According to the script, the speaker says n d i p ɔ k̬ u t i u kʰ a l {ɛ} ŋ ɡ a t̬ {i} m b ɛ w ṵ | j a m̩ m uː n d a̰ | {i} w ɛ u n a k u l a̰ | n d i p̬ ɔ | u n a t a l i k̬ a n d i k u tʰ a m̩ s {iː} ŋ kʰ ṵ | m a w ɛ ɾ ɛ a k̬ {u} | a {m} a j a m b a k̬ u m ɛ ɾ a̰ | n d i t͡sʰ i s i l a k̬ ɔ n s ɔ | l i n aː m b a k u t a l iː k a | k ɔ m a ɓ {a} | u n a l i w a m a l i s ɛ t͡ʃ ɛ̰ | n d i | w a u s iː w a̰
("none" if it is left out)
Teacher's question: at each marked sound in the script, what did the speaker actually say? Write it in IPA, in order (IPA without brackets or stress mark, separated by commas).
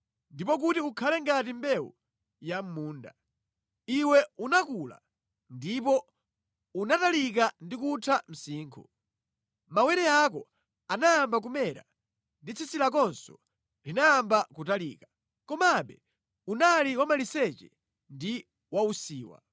ɛ, i, i, iː, ɔ, n, ɛ